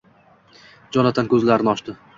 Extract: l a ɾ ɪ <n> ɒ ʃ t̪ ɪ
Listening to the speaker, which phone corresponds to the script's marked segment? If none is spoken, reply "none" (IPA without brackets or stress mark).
n